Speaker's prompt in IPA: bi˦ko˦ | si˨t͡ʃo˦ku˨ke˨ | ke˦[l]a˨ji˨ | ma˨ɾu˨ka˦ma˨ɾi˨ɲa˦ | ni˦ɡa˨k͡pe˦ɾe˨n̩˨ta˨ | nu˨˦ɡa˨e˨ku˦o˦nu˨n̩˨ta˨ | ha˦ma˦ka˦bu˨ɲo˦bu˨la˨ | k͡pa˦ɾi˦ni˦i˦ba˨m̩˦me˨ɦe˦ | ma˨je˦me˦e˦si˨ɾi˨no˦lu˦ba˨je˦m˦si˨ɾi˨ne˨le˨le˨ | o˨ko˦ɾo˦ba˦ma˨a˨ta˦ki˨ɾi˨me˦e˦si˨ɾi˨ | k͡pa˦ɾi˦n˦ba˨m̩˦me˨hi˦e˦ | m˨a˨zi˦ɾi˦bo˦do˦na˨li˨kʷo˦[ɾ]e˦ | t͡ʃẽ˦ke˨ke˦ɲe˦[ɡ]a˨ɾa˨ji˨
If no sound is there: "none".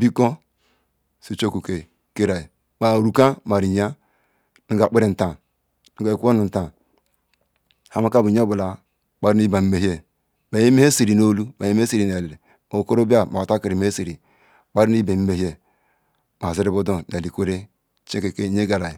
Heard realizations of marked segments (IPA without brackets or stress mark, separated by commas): ɾ, ɾ, ɡ